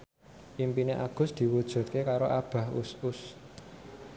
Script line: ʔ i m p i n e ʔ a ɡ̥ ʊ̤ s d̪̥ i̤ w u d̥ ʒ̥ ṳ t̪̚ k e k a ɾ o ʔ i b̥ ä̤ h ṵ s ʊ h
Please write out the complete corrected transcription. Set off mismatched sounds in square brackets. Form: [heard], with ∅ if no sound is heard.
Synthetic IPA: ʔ i m p i n e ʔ a ɡ̥ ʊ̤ s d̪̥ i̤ w u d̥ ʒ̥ ṳ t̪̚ k e k a ɾ o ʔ [a] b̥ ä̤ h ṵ s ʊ [s]